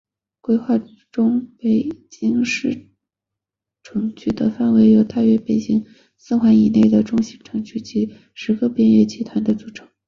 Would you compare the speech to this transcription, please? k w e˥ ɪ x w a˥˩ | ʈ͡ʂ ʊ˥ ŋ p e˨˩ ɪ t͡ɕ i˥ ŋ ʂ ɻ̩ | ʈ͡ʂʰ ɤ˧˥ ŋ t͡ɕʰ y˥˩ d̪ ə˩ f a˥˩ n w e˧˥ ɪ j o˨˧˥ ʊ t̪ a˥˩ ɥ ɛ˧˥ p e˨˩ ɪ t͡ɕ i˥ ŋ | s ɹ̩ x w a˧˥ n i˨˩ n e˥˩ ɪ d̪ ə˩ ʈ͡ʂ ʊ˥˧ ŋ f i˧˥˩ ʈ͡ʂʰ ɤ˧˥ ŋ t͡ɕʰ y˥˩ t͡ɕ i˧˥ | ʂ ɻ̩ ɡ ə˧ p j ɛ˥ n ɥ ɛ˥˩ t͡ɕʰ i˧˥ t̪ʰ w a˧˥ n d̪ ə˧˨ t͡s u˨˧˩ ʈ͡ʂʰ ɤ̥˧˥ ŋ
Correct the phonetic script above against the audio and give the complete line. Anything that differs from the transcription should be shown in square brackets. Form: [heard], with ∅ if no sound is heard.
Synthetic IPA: k w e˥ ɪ x w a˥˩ | ʈ͡ʂ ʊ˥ ŋ p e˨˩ ɪ t͡ɕ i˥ ŋ ʂ ɻ̩ | ʈ͡ʂʰ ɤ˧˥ ŋ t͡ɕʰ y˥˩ d̪ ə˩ f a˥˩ n w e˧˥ ɪ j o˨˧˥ ʊ t̪ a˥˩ ɥ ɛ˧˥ p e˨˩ ɪ t͡ɕ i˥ ŋ | s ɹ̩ x w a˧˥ n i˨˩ n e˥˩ ɪ d̪ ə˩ ʈ͡ʂ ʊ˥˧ ŋ [ɕ] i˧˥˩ ʈ͡ʂʰ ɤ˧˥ ŋ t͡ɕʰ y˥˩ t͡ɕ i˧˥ | ʂ ɻ̩ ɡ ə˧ p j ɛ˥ n ɥ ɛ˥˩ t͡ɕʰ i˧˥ t̪ʰ w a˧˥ n d̪ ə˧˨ t͡s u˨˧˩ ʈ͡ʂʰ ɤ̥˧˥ ŋ